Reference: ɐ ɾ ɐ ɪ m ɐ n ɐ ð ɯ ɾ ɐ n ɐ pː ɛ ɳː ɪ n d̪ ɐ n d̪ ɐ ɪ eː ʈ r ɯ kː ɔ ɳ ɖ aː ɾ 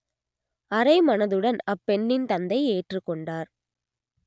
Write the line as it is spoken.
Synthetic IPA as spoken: ɐ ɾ ɐ ɪ m ɐ n ɐ ð ɯ ɽ ɐ n ɐ pː ɛ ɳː ɪ n t̪ ɐ n d̪ ɐ ɪ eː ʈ r ɯ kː ɔ ɳ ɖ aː ɾ

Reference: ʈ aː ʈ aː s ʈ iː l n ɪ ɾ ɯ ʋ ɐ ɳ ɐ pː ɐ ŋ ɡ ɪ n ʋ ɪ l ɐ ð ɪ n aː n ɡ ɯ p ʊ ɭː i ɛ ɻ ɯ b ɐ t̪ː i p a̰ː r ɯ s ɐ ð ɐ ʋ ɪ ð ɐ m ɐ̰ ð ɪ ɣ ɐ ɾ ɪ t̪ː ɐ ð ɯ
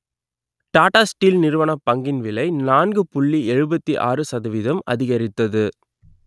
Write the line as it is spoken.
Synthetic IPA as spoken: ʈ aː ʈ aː s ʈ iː l n ɪ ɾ ɯ ʋ ɐ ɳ ɐ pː ɐ ŋ ɡ ɪ n ʋ ɪ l ɐ ɪ n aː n ɡ ɯ p ʊ ɭː i ɛ ɻ ɯ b ɐ t̪ː i ʔ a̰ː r ɯ s ɐ ð ɐ ʋ ɪ ð ɐ m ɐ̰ ð ɪ ɣ ɐ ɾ ɪ t̪ː ɐ ð ɯ

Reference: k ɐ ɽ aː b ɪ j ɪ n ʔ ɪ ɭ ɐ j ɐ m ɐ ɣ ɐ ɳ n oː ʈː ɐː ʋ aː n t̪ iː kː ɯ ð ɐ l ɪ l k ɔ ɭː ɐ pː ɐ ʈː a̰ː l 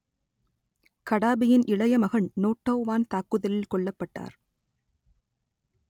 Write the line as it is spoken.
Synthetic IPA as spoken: k ɐ ɽ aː b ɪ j ɪ n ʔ ɪ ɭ ɐ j ɐ m ɐ ɣ ɐ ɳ n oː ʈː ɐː ʋ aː n t̪ aː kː ɯ ð ɐ l ɪ l k ɔ ɭː ɐ pː ɐ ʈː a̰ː ɾ

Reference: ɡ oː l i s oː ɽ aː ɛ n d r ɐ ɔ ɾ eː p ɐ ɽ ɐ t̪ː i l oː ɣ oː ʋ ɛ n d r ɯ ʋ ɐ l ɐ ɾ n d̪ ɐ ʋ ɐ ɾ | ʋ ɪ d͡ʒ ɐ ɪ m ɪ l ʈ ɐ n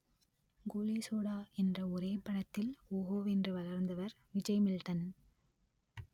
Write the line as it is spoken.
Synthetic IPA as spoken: ɡ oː l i s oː ɽ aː ɛ n d r ɐ ɔ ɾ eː p ɐ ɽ ɐ t̪ː ɪ l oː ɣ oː ʋ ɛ n d r ɯ ʋ ɐ l ɐ ɾ n d̪ ɐ ʋ ɐ ɾ | ʋ ɪ d͡ʒ ɐ ɪ m ɪ l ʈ ɐ n

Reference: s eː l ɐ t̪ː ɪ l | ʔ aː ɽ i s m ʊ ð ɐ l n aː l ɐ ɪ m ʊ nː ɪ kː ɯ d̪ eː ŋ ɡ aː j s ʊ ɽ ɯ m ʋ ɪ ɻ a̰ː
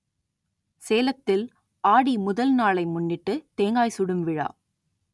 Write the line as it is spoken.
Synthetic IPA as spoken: s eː l ɐ t̪ː ɪ l | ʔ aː ɽ i m ʊ ð ɐ l n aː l ɐ ɪ m ʊ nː ɪ ʈː ɯ t̪ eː ŋ ɡ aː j s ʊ ɽ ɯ m ʋ ɪ ɻ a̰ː

